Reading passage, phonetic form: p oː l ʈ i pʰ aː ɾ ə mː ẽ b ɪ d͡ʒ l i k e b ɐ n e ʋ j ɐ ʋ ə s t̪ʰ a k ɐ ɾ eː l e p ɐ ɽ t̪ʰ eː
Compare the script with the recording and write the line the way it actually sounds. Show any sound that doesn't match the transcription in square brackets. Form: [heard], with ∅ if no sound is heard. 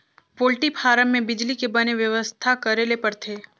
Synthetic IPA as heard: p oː l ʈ i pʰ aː ɾ ə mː ẽ b ɪ d͡ʒ l i k e b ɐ n e ʋ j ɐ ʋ ə s t̪ʰ a k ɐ ɾ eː l e p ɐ [ɾ] t̪ʰ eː